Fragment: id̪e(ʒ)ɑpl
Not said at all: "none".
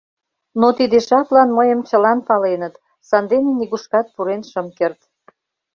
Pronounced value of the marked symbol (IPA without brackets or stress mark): ʃ